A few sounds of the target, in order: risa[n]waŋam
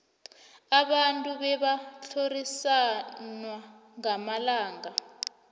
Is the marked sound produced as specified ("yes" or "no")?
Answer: yes